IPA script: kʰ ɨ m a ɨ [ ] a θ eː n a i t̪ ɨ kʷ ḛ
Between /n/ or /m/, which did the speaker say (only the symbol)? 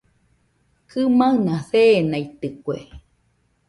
n